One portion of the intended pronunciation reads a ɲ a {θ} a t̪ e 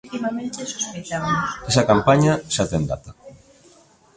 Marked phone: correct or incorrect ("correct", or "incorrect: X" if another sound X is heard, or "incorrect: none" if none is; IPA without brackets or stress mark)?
incorrect: ʃ